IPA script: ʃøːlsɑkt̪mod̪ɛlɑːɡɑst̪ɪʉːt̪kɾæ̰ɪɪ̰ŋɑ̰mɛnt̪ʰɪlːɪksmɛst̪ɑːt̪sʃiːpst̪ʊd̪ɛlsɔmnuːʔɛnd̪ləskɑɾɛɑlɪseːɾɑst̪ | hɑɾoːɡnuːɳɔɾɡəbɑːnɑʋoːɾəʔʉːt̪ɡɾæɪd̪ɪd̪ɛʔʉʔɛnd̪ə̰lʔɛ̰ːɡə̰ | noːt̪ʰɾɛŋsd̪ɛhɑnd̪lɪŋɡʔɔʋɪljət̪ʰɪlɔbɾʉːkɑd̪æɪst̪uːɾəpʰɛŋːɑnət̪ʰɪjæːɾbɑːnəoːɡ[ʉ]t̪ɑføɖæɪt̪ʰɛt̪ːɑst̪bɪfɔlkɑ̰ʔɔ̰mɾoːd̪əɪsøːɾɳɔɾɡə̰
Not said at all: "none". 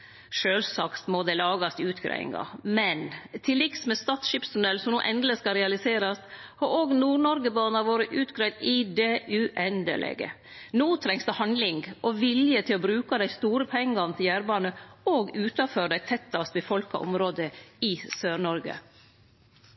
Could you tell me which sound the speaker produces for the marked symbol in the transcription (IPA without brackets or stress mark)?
ʉː